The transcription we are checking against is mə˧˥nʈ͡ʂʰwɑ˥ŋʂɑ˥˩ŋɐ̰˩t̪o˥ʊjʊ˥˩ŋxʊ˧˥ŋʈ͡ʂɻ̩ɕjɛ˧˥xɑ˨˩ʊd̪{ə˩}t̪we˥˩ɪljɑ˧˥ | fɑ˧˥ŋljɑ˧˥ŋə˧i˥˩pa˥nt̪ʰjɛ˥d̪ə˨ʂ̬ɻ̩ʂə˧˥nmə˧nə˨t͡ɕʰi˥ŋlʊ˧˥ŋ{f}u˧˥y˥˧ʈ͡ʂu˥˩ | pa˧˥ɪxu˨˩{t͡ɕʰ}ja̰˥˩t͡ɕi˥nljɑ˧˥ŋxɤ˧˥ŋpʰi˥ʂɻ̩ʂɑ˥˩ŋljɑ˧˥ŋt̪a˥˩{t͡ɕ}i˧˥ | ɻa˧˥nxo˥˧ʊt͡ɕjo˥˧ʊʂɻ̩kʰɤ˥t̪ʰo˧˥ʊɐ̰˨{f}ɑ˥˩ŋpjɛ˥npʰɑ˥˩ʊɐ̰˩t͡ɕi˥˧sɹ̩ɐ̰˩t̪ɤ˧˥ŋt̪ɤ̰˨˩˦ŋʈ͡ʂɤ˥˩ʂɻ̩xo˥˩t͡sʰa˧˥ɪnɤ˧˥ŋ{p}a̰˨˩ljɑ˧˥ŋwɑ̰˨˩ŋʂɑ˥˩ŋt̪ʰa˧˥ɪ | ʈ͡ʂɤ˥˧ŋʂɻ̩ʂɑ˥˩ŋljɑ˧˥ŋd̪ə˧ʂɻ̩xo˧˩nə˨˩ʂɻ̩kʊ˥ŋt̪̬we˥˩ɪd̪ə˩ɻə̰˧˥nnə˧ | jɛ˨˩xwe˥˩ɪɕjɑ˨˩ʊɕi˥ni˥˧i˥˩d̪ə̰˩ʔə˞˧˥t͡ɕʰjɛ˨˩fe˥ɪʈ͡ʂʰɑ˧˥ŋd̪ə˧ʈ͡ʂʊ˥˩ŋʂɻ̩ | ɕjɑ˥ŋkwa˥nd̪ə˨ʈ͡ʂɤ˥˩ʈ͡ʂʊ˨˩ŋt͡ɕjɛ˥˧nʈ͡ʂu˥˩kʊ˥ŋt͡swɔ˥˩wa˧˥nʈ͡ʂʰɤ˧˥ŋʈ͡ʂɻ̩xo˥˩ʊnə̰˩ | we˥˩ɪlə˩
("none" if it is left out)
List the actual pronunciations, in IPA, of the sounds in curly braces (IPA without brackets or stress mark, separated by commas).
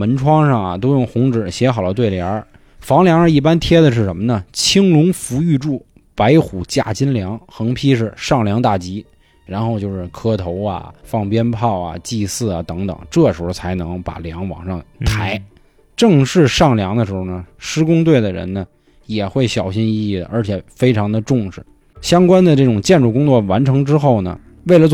ə˦, f, t͡ɕ, t͡ɕ, f, p